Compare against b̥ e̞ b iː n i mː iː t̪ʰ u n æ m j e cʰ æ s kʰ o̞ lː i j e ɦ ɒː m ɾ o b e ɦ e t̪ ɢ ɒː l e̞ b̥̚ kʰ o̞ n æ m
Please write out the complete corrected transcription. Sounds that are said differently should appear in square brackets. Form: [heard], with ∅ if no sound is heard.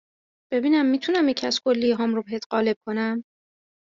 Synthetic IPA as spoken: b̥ e̞ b iː n [æ] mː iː t̪ʰ u n æ m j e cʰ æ s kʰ o̞ lː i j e ɦ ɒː m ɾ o b e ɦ e t̪ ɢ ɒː l e̞ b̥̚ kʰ o̞ n æ m